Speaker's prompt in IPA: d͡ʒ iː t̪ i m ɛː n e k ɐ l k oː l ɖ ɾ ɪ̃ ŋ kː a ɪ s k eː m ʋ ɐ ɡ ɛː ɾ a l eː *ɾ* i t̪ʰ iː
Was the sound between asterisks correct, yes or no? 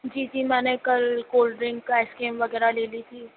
no